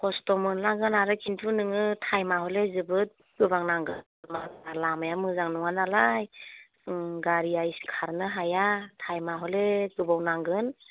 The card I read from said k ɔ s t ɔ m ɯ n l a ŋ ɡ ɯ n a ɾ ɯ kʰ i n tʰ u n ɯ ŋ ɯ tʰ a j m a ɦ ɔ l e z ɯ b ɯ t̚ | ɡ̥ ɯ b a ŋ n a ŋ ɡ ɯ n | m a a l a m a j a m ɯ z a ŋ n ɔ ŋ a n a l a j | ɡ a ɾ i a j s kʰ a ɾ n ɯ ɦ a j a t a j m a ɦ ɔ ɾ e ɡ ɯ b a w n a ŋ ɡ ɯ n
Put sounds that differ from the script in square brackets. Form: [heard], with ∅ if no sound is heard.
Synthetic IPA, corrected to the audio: k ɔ s t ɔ m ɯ n l a ŋ ɡ ɯ n a ɾ ɯ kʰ i n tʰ u n ɯ ŋ ɯ tʰ a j m a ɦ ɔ l e z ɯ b ɯ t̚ | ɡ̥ ɯ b a ŋ n a ŋ ɡ ɯ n | m a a l a m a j a m ɯ z a ŋ n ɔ ŋ a n a l a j | ɡ a ɾ i a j s kʰ a ɾ n ɯ ɦ a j a [tʰ] a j m a ɦ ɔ [l] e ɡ ɯ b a w n a ŋ ɡ ɯ n